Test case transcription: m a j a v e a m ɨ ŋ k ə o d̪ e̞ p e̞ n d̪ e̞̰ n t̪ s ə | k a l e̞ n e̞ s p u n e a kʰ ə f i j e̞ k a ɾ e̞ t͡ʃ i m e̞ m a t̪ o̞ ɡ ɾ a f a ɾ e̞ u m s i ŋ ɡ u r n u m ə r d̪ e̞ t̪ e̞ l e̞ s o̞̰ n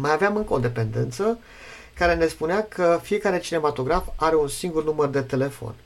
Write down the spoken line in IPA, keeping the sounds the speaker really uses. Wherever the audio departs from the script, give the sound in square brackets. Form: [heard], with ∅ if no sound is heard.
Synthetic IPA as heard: m a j a v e a m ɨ ŋ k ə o d̪ e̞ p e̞ n d̪ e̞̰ n t̪ s ə | k a [ɾ] e̞ n e̞ s p u n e a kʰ ə f i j e̞ k a ɾ e̞ t͡ʃ i [n] e̞ m a t̪ o̞ ɡ ɾ a f a ɾ e̞ u [n] s i ŋ ɡ u r n u m ə r d̪ e̞ t̪ e̞ l e̞ [f] o̞̰ n